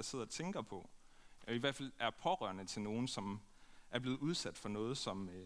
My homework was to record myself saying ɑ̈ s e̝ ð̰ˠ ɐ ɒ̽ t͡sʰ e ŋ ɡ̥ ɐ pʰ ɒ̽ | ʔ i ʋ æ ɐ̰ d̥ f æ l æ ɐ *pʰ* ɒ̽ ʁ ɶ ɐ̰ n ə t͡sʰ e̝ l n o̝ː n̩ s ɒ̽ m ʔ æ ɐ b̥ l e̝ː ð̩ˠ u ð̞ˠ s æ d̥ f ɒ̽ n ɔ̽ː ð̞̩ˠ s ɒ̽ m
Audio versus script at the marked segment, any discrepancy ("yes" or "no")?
no